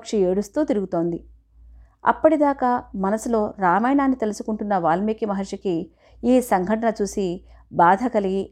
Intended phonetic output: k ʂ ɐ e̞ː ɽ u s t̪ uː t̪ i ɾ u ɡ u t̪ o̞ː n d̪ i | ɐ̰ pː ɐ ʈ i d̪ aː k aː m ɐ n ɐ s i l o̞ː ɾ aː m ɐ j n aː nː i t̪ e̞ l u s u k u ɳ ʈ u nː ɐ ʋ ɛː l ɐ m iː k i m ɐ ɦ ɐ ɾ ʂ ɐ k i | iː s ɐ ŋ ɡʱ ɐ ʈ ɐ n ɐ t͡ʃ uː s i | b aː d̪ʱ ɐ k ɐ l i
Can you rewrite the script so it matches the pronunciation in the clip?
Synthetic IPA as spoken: k ʂ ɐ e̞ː ɽ u s t̪ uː t̪ i ɾ u ɡ u t̪ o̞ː n d̪ i | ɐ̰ pː ɐ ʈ i d̪ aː k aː m ɐ n ɐ s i l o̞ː ɾ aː m ɐ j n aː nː i t̪ e̞ l u s u k u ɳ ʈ u nː ɐ ʋ aː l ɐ m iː k i m ɐ ɦ ɐ ɾ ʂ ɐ k i | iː s ɐ ŋ ɡʱ ɐ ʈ ɐ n ɐ t͡ʃ uː s i | b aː d̪ʱ ɐ k ɐ l i